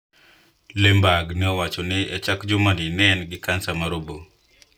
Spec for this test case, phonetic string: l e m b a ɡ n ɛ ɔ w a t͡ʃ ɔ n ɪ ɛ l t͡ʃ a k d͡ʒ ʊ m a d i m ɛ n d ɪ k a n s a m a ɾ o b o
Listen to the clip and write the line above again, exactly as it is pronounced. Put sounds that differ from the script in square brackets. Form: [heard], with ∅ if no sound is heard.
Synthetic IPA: l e m b a ɡ n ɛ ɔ w a t͡ʃ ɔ n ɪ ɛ [∅] t͡ʃ a k d͡ʒ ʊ m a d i [n] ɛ n [ɡ] ɪ k a n s a m a ɾ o b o